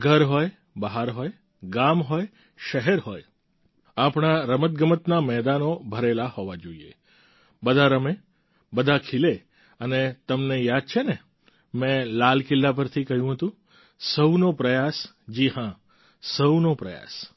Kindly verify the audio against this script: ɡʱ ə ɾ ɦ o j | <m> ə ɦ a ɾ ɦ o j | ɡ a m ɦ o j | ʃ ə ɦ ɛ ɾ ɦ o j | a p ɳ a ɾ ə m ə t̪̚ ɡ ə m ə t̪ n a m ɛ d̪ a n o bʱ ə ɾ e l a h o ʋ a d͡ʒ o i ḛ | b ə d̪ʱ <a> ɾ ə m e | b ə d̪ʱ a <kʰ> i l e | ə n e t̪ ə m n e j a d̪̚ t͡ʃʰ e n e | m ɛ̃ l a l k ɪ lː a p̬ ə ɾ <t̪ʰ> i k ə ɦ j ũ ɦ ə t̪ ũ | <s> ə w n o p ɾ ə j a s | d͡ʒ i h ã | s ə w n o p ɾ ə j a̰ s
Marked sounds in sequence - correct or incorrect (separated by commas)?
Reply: incorrect, correct, correct, correct, correct